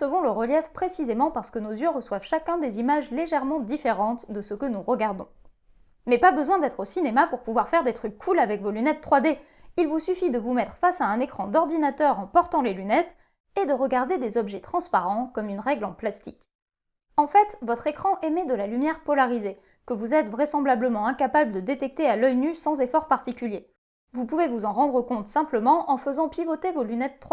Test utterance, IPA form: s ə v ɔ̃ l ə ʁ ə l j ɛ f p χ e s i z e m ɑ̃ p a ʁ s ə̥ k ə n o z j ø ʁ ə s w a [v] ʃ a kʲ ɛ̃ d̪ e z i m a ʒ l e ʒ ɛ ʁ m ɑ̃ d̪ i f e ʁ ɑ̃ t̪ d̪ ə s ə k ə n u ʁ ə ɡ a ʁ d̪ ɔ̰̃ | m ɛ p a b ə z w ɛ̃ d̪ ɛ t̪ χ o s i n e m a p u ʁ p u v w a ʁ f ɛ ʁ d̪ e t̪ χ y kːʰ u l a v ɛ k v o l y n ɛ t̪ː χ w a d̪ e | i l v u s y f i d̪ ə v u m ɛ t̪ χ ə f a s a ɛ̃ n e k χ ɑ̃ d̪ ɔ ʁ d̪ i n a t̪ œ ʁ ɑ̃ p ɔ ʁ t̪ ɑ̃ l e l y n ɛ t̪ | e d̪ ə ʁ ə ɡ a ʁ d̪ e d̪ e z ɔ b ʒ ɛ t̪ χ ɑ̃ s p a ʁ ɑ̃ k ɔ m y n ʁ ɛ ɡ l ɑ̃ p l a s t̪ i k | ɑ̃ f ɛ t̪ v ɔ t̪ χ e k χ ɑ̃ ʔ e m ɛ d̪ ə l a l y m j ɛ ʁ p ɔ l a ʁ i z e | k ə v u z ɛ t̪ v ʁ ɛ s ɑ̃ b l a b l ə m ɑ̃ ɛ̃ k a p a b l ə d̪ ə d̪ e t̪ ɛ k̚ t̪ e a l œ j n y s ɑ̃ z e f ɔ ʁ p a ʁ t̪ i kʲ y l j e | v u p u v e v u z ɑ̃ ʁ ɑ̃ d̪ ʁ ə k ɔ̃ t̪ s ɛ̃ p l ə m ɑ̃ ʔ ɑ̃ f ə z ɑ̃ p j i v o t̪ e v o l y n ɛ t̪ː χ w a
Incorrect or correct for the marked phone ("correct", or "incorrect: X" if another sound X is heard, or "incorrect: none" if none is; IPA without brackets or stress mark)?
correct